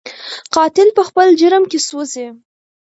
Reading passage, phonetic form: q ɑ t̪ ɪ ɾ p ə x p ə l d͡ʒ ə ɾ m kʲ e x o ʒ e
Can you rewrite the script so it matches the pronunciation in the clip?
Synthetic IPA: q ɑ t̪ ɪ l p ə x p ə l d͡ʒ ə ɾ m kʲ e s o z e